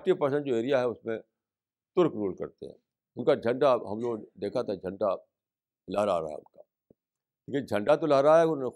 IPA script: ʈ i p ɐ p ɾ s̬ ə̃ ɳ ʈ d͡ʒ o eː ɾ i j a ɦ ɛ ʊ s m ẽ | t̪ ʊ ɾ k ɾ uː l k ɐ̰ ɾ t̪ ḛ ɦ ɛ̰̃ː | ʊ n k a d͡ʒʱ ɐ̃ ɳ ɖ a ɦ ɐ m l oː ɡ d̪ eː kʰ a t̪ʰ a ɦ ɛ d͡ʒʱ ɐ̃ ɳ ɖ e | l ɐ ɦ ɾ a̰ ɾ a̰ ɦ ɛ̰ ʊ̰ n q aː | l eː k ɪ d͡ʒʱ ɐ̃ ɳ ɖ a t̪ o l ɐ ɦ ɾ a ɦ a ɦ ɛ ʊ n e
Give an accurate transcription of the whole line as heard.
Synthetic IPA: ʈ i p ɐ ɾ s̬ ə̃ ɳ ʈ d͡ʒ o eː ɾ i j a ɦ ɛ ʊ s m ẽ | t̪ ʊ ɾ k ɾ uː l k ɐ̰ ɾ t̪ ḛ ɦ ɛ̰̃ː | ʊ n k a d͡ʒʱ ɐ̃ ɳ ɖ a ɦ ɐ m l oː ɡ d̪ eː kʰ a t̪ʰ a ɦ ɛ d͡ʒʱ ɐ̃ ɳ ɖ a | l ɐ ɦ ɾ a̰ ɾ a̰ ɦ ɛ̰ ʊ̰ n k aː | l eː k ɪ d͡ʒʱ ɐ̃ ɳ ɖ a t̪ o l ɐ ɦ ɾ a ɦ a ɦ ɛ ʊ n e